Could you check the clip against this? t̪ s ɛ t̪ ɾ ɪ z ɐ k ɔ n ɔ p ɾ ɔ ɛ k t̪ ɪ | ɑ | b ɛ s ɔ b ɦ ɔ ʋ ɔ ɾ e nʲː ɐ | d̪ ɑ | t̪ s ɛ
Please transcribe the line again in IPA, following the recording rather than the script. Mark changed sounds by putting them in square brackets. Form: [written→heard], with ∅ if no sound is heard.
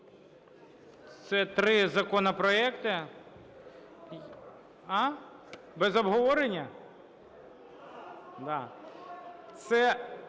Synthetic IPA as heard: t̪ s ɛ t̪ ɾ ɪ z ɐ k ɔ n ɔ p ɾ ɔ ɛ k t̪ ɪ | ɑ | b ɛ [s→z] ɔ b ɦ ɔ ʋ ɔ ɾ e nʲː ɐ | d̪ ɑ | t̪ s ɛ